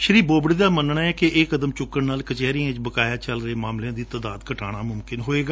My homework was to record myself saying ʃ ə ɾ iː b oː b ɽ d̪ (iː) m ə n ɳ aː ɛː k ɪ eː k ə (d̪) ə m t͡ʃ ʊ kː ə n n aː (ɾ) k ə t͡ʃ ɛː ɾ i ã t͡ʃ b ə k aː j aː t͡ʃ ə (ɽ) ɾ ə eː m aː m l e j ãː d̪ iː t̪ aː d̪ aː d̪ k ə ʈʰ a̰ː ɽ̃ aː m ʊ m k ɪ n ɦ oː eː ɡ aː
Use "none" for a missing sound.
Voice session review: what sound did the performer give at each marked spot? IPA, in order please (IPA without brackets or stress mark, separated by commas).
aː, d̪, l, l